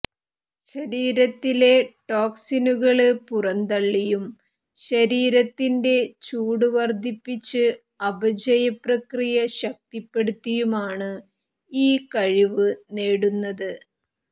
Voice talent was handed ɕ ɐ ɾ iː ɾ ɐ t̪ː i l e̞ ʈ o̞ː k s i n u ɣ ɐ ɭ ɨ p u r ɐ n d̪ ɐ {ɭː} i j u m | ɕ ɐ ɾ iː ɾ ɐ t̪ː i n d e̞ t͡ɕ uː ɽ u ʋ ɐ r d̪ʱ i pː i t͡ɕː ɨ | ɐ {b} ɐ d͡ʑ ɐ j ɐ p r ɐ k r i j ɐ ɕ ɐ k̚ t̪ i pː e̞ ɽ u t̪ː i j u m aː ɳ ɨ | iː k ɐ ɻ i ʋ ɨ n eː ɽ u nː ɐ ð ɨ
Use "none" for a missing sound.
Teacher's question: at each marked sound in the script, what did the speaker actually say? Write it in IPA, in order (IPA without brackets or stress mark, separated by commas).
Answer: ɭː, b